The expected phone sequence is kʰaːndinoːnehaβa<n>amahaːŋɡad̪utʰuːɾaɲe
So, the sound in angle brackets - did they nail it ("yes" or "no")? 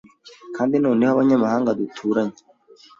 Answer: no